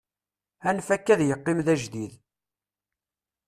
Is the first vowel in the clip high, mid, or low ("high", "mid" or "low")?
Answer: low